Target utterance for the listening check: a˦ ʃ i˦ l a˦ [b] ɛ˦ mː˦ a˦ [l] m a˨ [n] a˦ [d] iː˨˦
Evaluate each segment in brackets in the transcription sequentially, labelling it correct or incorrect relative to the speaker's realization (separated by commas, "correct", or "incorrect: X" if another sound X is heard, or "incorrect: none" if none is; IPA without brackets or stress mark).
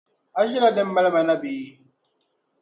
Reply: incorrect: d, correct, correct, incorrect: b